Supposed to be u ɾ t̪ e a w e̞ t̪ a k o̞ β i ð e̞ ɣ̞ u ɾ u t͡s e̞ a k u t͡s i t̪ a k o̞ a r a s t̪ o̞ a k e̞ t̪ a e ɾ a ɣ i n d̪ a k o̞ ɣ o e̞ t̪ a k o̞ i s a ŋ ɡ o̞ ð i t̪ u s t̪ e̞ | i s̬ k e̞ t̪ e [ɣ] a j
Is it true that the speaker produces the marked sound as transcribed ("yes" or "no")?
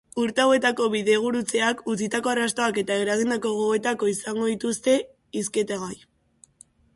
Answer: yes